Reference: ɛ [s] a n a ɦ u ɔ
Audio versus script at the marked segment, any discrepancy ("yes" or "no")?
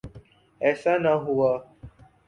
no